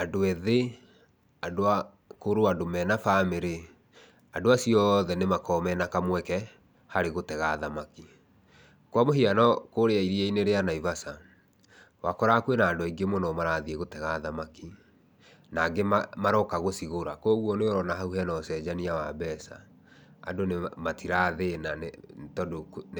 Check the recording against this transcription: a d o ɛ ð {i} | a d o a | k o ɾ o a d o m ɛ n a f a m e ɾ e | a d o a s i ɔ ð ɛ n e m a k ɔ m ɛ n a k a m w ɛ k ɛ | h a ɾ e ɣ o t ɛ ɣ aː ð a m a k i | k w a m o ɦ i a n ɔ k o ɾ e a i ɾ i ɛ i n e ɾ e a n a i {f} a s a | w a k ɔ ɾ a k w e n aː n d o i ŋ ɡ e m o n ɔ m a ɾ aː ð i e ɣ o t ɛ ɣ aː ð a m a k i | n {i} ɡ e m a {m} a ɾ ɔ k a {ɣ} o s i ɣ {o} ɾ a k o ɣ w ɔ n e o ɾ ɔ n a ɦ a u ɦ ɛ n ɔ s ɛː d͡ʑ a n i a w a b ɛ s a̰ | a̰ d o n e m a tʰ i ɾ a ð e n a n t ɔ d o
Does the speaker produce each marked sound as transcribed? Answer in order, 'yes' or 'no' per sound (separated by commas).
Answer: no, no, no, yes, yes, yes